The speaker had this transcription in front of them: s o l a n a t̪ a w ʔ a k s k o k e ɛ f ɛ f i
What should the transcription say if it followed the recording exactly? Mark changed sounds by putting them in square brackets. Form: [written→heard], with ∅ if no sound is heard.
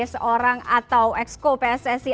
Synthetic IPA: s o [l→ɾ] a [n→ŋ] a t̪ a w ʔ [a→ɛ] k s k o [k→p] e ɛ [f→s] ɛ [f→s] i